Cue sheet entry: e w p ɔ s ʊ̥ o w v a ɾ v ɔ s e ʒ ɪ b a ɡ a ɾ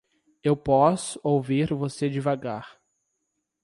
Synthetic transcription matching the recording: e w p ɔ s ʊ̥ o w v i ɾ v o s e d͡ʒ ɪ v a ɡ a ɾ